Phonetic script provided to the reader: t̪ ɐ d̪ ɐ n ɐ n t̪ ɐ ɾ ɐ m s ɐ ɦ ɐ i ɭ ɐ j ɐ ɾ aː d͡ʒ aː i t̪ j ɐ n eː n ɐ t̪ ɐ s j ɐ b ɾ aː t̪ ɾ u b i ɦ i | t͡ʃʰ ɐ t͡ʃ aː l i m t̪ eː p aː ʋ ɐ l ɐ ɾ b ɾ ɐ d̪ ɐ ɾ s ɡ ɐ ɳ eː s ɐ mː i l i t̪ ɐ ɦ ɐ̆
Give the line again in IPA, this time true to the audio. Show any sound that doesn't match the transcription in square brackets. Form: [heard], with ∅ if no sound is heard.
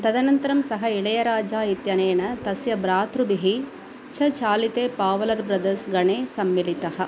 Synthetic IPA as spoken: t̪ ɐ d̪ ɐ n ɐ n t̪ ɐ ɾ ɐ m s ɐ ɦ ɐ i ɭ ɐ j ɐ ɾ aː d͡ʒ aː i t̪ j ɐ n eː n ɐ t̪ ɐ s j ɐ b ɾ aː t̪ ɾ u b i ɦ i | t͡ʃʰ ɐ t͡ʃ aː l i [∅] t̪ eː p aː ʋ ɐ l ɐ ɾ b ɾ ɐ d̪ ɐ ɾ s ɡ ɐ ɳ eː s ɐ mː i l i t̪ ɐ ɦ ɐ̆